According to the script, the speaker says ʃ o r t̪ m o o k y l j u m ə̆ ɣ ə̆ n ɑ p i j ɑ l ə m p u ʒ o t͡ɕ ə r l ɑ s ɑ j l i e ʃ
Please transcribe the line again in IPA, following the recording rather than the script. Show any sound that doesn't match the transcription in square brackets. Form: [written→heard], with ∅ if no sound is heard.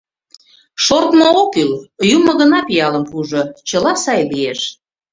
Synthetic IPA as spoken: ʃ o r t̪ m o o k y l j u m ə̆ ɣ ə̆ n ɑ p i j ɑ l ə m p u ʒ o t͡ɕ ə [r→∅] l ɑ s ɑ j l i e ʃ